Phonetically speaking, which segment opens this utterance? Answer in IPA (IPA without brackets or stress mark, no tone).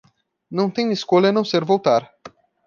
n